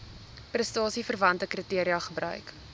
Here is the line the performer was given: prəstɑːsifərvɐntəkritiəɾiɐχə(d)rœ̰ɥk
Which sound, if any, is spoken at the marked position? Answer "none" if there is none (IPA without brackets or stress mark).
b